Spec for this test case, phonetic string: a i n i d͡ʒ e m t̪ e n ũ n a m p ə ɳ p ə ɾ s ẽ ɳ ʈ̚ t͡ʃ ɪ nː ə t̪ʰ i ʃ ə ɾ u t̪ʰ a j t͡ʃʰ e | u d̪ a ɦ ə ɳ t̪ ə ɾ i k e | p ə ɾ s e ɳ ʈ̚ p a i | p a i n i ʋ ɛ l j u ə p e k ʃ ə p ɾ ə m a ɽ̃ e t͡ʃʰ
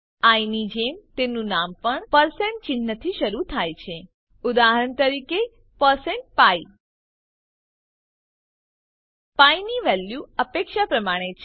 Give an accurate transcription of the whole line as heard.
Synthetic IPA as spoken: a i n i d͡ʒ e m t̪ e n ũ n a m p ə ɳ p ə ɾ s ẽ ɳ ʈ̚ t͡ʃ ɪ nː ə t̪ʰ i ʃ ə ɾ u t̪ʰ a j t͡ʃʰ e | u d̪ a ɦ ə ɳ t̪ ə ɾ i k e | p ə ɾ s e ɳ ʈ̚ p a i | p a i n i ʋ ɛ l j u ə p e k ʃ a p ɾ ə m a ɽ̃ e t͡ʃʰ